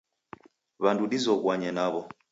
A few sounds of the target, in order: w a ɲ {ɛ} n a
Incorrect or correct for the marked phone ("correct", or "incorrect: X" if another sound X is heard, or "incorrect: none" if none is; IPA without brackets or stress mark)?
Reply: correct